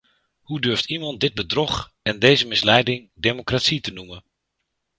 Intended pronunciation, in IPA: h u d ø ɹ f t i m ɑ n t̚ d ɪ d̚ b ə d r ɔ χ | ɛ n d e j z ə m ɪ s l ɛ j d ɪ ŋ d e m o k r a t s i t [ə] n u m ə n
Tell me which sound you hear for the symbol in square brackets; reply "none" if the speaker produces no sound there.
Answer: ə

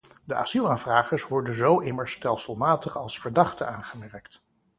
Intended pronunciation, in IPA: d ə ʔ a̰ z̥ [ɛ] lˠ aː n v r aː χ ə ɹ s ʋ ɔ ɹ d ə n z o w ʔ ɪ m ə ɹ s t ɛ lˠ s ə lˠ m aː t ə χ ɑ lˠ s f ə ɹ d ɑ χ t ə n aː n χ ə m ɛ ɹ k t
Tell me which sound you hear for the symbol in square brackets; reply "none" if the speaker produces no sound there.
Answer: i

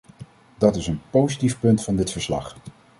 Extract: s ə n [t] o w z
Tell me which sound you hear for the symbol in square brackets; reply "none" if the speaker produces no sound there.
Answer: p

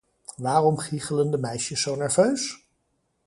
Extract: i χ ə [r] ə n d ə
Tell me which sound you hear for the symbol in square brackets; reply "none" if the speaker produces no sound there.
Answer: l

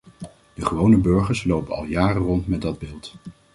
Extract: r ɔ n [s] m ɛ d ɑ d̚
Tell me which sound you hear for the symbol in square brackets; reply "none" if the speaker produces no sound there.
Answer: t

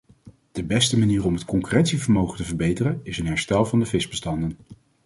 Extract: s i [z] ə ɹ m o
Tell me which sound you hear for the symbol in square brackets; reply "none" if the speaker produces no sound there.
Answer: v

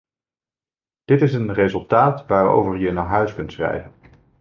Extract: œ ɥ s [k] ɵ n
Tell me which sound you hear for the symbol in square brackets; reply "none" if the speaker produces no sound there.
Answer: k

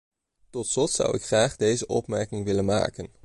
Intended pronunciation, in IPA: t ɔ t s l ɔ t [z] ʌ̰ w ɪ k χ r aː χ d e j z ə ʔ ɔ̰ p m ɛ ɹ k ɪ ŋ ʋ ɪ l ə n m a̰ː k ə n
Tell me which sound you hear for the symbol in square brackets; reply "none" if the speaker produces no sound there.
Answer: s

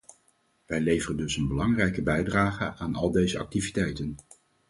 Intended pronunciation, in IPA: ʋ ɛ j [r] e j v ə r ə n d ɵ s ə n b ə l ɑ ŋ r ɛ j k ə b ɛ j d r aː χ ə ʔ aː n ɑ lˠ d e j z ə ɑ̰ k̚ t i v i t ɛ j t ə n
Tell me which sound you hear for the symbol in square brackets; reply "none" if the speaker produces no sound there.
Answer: l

